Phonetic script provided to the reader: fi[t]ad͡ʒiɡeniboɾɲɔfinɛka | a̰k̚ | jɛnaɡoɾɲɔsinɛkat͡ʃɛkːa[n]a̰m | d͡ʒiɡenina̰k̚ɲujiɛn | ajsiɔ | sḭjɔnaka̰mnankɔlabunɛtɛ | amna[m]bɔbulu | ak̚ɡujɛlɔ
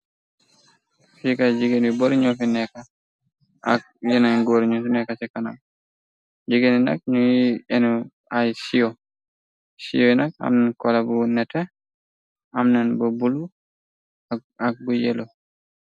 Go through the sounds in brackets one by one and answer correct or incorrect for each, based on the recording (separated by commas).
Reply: incorrect, correct, incorrect